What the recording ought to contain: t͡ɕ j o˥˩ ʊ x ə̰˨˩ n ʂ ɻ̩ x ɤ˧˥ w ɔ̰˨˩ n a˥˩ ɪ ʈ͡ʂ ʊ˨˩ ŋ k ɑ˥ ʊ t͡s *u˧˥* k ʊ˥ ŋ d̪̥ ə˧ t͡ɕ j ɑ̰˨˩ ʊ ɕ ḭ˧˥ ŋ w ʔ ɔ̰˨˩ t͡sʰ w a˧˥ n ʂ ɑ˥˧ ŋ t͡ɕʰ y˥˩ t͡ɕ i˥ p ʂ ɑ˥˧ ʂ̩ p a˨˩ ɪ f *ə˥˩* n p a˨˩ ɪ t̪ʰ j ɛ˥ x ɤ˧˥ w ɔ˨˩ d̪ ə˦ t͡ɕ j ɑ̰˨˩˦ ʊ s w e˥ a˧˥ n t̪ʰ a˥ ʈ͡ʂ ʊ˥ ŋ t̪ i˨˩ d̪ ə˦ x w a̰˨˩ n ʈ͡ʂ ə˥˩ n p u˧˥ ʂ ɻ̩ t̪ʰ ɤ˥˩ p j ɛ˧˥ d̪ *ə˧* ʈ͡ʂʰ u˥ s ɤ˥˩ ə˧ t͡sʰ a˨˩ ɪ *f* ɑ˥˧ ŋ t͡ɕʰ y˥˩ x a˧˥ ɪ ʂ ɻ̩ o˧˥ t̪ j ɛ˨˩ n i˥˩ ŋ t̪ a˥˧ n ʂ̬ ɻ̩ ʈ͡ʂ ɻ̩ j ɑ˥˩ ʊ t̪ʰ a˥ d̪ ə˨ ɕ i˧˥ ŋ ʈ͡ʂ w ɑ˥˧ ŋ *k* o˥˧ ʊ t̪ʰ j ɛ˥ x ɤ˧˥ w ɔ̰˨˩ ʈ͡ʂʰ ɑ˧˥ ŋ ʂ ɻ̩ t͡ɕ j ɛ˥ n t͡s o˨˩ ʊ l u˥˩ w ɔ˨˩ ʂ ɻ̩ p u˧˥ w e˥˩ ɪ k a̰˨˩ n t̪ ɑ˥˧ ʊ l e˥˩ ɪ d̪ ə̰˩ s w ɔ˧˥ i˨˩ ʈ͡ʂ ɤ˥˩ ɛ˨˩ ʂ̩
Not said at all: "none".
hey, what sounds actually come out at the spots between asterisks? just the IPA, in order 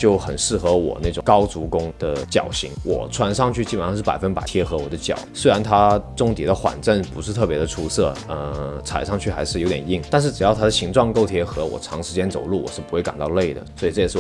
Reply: u˧˥, ə˥, ə˧, ʂ, k

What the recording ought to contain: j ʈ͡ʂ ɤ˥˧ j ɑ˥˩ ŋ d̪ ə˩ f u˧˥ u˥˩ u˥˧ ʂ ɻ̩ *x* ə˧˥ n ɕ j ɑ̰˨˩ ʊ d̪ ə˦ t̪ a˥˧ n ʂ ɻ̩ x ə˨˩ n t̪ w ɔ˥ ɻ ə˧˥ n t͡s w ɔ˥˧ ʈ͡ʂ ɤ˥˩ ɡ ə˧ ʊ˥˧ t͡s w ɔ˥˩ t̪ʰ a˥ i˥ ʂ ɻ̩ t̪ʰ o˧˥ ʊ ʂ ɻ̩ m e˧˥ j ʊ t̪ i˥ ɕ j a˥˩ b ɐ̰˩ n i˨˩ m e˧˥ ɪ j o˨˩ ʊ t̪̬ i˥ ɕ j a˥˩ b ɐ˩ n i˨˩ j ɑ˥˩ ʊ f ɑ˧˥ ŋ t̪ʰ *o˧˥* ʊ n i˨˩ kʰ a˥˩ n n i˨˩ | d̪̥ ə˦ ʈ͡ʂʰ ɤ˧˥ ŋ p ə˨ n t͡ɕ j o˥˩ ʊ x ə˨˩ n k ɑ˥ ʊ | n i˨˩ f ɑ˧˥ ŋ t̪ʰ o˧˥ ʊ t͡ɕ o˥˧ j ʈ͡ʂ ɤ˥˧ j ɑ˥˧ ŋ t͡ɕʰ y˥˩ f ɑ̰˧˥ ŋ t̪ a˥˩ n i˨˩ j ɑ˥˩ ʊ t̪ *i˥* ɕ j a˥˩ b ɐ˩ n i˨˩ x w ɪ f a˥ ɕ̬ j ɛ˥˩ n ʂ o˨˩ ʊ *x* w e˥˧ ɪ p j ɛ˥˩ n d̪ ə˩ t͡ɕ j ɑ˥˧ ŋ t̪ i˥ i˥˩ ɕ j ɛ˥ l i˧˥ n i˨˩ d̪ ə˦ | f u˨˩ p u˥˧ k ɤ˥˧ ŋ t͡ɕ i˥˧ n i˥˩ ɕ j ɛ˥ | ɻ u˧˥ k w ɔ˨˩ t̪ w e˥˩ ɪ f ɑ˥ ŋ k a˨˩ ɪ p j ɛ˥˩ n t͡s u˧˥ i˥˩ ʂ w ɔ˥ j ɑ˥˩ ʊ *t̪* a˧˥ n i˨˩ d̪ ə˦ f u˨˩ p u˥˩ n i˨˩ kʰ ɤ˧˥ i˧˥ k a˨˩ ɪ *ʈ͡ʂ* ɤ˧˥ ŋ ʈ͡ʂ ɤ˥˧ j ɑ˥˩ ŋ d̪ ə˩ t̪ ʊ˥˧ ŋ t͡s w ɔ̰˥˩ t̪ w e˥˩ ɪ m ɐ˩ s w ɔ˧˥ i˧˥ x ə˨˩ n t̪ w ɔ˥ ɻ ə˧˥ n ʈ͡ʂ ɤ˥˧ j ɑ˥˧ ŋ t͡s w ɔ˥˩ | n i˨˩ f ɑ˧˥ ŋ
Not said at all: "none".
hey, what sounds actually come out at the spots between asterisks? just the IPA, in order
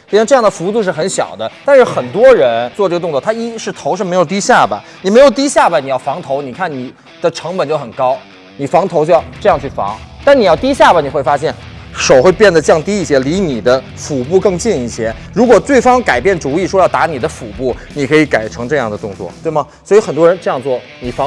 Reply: x, o˧˥, i˥, x, t̪, ʈ͡ʂʰ

